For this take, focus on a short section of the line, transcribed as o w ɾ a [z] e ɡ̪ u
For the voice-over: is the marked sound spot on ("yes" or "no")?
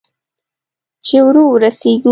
no